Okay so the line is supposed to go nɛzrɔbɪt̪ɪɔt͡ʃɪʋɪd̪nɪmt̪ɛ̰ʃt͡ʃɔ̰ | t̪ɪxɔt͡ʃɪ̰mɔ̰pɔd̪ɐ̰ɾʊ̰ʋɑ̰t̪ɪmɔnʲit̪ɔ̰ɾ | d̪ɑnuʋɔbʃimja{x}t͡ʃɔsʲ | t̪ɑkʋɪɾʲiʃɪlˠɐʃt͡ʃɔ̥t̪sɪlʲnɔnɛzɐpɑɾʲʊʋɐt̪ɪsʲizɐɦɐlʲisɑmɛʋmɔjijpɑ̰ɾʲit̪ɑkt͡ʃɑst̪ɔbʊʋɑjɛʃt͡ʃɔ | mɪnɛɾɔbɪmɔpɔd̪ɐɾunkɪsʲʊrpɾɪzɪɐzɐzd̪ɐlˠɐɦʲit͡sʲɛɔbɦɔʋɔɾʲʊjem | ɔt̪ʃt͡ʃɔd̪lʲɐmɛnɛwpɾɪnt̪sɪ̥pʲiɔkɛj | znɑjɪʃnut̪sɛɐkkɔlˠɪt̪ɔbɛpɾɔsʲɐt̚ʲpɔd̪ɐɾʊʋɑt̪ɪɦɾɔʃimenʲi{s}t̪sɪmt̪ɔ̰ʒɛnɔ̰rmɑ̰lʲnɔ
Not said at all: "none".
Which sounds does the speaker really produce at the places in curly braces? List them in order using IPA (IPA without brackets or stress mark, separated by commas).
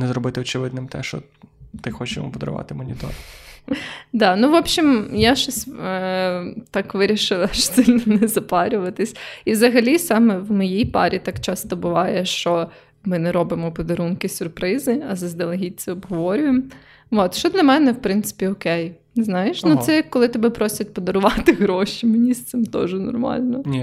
ʃ, s